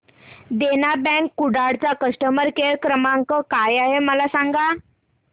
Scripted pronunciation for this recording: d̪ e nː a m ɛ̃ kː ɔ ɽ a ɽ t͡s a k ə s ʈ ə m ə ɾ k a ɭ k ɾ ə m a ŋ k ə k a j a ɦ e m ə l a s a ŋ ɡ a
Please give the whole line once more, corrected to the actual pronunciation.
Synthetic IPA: d̪ e n a b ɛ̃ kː u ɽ a ɽ t͡s a k ə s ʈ ə m ə ɾ k e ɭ k ɾ ə m a ŋ k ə k a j a ɦ e m ə l a s a ŋ ɡ a

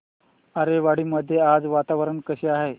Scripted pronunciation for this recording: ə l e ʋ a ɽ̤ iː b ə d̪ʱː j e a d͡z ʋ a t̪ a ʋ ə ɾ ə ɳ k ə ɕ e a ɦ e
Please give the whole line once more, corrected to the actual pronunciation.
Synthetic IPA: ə ɾ e ʋ a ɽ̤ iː m ə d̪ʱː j e a d͡z ʋ a t̪ a ʋ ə ɾ ə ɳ k ə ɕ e a ɦ e

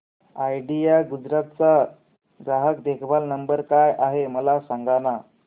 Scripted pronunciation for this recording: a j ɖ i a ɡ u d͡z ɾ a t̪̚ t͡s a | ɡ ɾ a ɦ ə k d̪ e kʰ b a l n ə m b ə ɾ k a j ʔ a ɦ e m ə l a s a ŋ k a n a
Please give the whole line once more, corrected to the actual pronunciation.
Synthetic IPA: a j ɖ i a ɡ u d͡z ɾ a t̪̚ t͡s a | ɡ ɾ a ɦ ə k d̪ e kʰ b a l n ə m b ə ɾ k a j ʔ a ɦ e m ə l a s a ŋ ɡ a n a

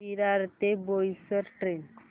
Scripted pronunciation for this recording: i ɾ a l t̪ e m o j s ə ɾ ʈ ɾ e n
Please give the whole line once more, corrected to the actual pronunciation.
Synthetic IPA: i ɾ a ɾ t̪ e b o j s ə ɾ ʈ ɾ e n

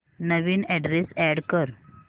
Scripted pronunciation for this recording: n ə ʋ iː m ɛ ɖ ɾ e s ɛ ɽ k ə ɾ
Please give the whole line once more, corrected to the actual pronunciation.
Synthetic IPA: n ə ʋ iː n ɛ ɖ ɾ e s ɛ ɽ k ə ɾ

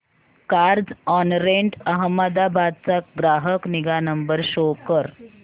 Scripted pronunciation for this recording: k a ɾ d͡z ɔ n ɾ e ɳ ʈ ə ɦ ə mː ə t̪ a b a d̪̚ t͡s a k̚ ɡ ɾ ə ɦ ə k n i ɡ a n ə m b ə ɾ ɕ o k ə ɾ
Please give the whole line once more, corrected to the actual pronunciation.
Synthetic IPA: k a ɾ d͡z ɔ n ɾ e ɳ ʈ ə ɦ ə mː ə d̪ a b a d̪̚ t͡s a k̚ ɡ ɾ a ɦ ə k n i ɡ a n ə m b ə ɾ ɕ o k ə ɾ

